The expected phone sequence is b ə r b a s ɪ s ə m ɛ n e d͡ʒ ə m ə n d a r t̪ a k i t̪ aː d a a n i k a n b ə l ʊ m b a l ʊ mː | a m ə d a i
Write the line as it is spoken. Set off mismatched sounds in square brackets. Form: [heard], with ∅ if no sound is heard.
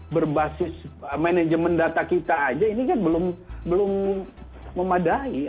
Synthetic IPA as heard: b ə r b a s ɪ s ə m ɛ n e d͡ʒ ə m ə n d a [∅] t̪ a k i t̪ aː [d͡ʒ] a [i] n i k a n b ə l ʊ m b [ə] l ʊ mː | [ə] m [a] d a i